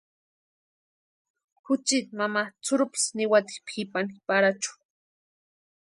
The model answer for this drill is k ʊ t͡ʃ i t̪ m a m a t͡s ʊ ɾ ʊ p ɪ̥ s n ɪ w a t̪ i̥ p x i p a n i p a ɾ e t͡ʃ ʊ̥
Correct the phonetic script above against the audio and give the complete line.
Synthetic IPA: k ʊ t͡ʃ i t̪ m a m a t͡s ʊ ɾ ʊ p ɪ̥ s n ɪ w a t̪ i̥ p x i p a n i p a ɾ a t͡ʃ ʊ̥